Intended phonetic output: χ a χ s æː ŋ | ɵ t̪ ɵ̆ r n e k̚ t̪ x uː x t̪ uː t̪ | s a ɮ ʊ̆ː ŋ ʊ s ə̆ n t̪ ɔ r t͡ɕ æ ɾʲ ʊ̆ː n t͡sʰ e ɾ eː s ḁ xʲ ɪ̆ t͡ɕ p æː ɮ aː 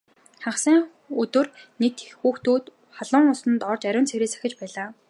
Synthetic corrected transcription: χ a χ s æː ŋ | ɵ t̪ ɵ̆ r n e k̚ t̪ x uː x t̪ uː t̪ | χ a ɮ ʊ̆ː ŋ ʊ s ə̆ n t̪ ɔ r t͡ɕ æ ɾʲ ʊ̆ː n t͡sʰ e ɾ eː s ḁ xʲ ɪ̆ t͡ɕ p æː ɮ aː